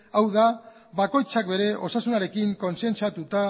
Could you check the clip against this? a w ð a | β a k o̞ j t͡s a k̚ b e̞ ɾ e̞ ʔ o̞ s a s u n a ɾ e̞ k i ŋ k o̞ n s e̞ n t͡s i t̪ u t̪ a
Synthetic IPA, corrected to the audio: a w ð a | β a k o̞ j t͡s a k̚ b e̞ ɾ e̞ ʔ o̞ s a s u n a ɾ e̞ k i ŋ k o̞ n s e̞ n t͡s a t̪ u t̪ a